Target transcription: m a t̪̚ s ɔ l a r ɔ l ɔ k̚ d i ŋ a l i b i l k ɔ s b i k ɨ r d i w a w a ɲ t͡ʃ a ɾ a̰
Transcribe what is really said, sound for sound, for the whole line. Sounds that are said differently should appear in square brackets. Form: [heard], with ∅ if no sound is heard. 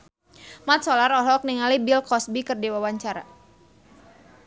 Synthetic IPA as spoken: m a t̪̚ s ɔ l a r ɔ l ɔ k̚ [n] i ŋ a l i b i l k ɔ s b i k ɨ r d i w a w a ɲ t͡ʃ a ɾ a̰